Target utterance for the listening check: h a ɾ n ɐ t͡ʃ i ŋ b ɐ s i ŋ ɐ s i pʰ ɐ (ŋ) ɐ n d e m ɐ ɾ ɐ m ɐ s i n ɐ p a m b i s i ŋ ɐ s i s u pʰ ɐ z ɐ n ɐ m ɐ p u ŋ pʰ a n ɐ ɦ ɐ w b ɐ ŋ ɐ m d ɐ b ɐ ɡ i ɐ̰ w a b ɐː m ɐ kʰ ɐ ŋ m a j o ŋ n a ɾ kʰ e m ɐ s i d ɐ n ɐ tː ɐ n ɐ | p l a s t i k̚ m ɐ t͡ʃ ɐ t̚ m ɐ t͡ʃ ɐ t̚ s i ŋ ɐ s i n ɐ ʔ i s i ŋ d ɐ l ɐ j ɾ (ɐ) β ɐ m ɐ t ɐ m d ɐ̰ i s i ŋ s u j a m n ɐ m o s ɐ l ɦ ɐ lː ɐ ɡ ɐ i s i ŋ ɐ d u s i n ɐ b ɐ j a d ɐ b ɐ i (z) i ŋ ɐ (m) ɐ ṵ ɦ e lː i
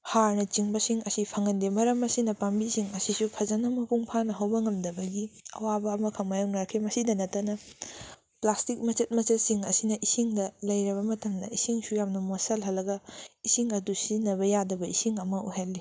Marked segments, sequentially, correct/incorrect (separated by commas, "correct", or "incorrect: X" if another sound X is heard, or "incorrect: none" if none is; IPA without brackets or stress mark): correct, correct, incorrect: s, correct